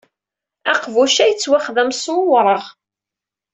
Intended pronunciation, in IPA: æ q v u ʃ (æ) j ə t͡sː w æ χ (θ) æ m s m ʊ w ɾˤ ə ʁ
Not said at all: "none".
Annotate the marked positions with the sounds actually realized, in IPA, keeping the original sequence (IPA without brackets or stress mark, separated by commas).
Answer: æ, ð